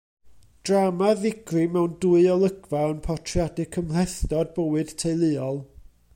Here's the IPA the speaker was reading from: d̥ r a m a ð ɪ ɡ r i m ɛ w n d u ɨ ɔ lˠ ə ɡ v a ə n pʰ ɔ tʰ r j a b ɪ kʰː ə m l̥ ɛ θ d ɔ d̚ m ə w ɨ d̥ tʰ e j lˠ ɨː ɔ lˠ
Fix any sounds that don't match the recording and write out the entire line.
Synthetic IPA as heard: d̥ r a m a ð ɪ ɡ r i m ɛ w n d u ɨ ɔ lˠ ə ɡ v a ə n pʰ ɔ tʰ r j a d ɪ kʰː ə m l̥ ɛ θ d ɔ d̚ b ə w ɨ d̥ tʰ e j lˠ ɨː ɔ lˠ